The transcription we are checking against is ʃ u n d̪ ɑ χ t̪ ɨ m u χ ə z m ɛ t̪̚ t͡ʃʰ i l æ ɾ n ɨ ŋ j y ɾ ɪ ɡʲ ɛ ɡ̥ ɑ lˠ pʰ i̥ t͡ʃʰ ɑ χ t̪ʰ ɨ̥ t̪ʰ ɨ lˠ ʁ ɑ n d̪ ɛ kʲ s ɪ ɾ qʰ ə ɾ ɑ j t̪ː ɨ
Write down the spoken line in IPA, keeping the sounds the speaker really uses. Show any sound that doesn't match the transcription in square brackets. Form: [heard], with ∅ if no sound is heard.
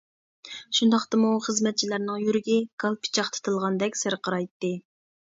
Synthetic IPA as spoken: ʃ u n d̪ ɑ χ t̪ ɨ m u χ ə z m ɛ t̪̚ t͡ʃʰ i l æ ɾ n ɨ ŋ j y ɾ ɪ ɡʲ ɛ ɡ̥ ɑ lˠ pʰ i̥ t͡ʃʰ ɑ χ t̪ʰ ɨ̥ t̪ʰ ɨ lˠ ʁ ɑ n d̪ ɛ kʲ s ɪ ɾ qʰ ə ɾ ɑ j t̪ː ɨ

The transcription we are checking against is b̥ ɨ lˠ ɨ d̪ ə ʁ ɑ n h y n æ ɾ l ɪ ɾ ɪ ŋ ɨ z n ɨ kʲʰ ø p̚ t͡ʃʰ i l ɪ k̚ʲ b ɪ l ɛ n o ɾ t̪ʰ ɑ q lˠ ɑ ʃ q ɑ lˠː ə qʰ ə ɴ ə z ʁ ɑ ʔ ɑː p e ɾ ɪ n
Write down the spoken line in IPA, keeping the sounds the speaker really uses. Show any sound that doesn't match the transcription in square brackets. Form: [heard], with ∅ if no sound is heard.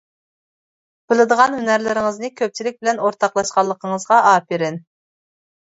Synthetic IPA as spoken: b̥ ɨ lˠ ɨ d̪ ə ʁ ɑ n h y n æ ɾ l ɪ ɾ ɪ ŋ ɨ z n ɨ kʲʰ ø p̚ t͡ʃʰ i l ɪ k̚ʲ b ɪ l ɛ n o ɾ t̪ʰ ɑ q lˠ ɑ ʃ q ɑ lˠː ə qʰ ə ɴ ə z ʁ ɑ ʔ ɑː p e ɾ ɪ n

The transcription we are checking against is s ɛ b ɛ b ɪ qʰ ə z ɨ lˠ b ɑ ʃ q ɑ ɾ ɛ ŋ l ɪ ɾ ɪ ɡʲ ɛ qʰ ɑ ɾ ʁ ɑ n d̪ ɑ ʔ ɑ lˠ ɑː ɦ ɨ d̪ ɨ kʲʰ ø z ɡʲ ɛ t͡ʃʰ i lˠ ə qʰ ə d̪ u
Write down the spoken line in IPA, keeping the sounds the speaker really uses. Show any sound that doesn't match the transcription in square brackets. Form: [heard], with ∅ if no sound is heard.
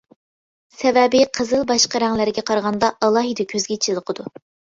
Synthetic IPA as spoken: s ɛ [v] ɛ b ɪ qʰ ə z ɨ lˠ b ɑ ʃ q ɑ ɾ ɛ ŋ l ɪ ɾ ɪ ɡʲ ɛ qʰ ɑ ɾ ʁ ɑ n d̪ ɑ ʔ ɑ lˠ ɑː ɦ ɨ d̪ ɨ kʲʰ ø z ɡʲ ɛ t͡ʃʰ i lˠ ə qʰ ə d̪ u

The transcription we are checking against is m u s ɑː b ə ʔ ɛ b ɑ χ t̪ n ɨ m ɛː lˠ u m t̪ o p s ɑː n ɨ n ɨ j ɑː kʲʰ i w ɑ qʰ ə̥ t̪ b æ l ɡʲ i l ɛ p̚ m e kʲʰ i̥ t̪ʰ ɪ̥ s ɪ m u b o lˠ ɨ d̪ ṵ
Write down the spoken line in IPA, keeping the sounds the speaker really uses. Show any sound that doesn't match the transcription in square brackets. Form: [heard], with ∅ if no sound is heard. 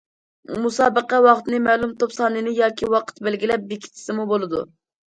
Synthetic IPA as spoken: m u s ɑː b ə [q] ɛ [w] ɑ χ t̪ n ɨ m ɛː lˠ u m t̪ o p s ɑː n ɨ n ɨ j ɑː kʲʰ i w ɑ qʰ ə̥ t̪ b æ l ɡʲ i l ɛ p̚ [b] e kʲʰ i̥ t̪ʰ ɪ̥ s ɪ m u b o lˠ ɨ d̪ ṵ

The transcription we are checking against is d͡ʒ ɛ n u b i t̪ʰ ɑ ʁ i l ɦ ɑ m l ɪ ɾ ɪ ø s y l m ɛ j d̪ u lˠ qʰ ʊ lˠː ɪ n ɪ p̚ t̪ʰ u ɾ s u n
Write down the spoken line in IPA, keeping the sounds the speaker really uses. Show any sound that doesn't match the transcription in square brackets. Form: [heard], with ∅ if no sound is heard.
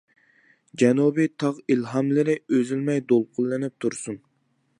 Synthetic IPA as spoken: d͡ʒ ɛ n u b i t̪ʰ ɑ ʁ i l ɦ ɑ m l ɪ ɾ ɪ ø [z] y l m ɛ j d̪ [o] lˠ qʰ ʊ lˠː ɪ n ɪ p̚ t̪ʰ u ɾ s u n

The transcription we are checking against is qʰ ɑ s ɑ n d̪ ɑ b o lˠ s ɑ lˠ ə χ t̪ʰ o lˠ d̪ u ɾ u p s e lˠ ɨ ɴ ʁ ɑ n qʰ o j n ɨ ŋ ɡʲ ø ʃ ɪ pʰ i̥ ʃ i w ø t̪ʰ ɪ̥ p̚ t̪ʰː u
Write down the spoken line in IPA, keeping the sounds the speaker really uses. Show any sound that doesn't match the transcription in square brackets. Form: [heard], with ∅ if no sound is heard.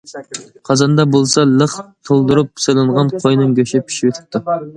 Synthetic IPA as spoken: qʰ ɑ [z] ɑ n d̪ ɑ b o lˠ s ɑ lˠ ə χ t̪ʰ o lˠ d̪ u ɾ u p s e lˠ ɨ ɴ ʁ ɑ n qʰ o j n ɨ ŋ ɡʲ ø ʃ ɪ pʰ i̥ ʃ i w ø t̪ʰ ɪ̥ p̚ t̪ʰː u

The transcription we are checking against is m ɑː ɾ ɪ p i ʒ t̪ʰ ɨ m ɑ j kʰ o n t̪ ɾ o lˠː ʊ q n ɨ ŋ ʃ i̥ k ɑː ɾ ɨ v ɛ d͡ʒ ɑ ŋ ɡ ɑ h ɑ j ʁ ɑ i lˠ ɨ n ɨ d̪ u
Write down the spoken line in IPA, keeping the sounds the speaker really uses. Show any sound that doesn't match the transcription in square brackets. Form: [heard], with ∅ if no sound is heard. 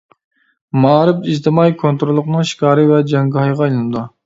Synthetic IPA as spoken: m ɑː ɾ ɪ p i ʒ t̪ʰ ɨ m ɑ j kʰ o n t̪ ɾ o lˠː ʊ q n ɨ ŋ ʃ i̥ k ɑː ɾ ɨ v ɛ d͡ʒ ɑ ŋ ɡ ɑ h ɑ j ʁ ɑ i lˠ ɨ n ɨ d̪ u

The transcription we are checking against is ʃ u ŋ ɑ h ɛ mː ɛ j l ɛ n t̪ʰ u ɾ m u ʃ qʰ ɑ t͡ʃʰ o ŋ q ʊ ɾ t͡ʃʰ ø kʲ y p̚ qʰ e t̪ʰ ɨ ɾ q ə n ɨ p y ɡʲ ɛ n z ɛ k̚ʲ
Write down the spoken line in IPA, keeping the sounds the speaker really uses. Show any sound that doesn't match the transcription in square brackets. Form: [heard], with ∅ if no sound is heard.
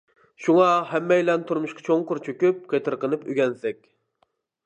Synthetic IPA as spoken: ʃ u ŋ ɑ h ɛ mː ɛ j l ɛ n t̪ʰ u ɾ m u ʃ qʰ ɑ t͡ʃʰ o ŋ q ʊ ɾ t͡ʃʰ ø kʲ y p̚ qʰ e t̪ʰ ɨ ɾ q ə n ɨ p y ɡʲ ɛ n [s] ɛ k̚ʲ

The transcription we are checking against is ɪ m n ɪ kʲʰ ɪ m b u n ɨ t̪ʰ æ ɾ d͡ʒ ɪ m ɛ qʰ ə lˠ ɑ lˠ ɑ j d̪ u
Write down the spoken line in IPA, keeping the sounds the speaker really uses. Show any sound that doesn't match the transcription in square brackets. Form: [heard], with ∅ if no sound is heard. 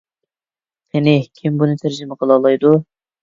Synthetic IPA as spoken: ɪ [∅] n ɪ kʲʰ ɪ m b u n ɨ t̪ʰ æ ɾ d͡ʒ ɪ m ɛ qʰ ə lˠ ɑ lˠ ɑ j d̪ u

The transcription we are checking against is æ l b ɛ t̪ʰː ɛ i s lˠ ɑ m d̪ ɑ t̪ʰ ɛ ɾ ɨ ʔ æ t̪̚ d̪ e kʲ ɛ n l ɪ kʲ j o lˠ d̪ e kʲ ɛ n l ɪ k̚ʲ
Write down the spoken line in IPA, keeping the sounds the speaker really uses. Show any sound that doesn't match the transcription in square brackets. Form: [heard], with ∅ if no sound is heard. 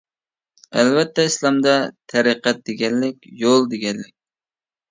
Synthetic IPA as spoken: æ l [v] ɛ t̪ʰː ɛ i s lˠ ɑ m d̪ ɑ t̪ʰ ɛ ɾ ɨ [q] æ t̪̚ d̪ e [ɡʲ] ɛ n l ɪ kʲ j o lˠ d̪ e [ɡʲ] ɛ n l ɪ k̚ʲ

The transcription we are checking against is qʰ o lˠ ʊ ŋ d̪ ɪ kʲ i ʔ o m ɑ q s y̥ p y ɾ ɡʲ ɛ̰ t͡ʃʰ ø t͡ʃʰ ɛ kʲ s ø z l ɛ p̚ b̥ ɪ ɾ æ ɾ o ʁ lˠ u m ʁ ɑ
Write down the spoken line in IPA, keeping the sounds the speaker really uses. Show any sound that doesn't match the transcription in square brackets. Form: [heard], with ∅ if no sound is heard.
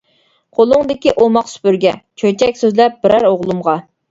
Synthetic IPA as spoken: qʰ o lˠ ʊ ŋ d̪ ɪ kʲ i ʔ o m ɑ q s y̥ p y ɾ ɡʲ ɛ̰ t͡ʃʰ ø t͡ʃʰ ɛ kʲ s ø z l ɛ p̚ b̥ ɪ ɾ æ ɾ o ʁ lˠ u m ʁ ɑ

